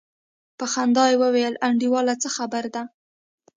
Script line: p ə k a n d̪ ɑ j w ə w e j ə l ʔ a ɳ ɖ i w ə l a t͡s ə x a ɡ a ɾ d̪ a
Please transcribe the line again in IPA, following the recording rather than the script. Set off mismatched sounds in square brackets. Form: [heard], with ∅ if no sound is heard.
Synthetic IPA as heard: p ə [x] a n d̪ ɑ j w ə w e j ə l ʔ a ɳ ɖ i w [ɑ] l a t͡s ə x a [b] a ɾ d̪ a